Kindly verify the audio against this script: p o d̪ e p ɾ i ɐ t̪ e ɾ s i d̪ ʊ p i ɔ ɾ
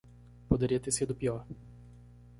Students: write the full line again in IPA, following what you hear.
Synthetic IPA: p o d̪ e ɾ i ɐ t̪ e ɾ s i d̪ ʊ p i ɔ ɾ